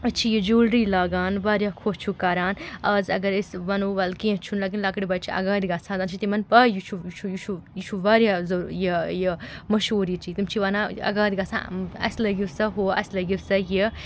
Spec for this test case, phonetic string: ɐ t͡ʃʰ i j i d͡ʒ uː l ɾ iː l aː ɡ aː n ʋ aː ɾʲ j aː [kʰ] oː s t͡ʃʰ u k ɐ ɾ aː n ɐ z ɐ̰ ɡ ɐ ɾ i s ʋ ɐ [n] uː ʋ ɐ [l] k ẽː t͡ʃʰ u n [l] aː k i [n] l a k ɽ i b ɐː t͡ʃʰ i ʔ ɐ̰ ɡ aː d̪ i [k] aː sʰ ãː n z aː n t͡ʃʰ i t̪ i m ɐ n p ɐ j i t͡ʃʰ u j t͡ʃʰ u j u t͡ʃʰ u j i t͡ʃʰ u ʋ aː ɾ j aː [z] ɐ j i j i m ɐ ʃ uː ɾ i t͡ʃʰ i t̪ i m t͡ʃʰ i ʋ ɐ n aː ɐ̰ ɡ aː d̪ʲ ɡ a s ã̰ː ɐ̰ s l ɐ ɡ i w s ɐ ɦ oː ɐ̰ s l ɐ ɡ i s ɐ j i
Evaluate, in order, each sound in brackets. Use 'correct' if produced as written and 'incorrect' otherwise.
correct, correct, correct, correct, correct, incorrect: ɡ, correct

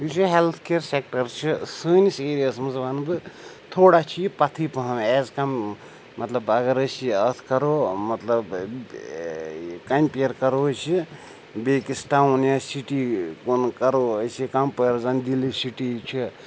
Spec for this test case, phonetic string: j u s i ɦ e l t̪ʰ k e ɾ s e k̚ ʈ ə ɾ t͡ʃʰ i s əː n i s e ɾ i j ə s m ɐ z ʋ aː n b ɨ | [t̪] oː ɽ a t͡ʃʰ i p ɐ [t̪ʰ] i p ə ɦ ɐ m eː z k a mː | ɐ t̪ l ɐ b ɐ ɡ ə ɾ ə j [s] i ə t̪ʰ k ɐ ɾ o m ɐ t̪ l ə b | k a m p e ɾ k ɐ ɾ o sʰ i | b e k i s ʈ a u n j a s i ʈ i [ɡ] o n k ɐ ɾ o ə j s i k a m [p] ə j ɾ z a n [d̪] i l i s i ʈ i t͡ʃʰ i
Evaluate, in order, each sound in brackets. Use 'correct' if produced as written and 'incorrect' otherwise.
incorrect: t̪ʰ, correct, correct, incorrect: k, correct, correct

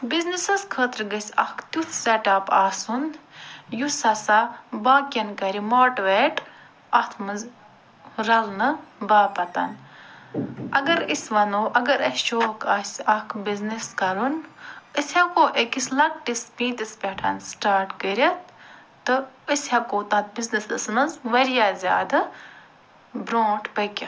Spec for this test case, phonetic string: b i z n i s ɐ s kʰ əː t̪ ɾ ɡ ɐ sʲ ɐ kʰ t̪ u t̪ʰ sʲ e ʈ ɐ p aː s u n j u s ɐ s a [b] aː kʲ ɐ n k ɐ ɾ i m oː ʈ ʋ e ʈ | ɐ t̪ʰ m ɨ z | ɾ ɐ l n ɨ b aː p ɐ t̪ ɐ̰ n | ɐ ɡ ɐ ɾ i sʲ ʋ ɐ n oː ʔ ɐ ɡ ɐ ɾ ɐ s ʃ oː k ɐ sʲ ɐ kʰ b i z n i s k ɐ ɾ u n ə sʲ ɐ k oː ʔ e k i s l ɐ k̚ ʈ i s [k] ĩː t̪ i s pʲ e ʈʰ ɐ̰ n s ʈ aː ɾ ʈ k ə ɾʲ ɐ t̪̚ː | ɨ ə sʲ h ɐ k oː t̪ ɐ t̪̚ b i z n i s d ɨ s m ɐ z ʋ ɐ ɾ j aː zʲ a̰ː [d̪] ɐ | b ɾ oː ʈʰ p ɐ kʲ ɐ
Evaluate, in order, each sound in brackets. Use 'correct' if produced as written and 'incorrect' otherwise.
correct, incorrect: p, correct

